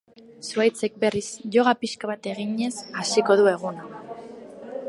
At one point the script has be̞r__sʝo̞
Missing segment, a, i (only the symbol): i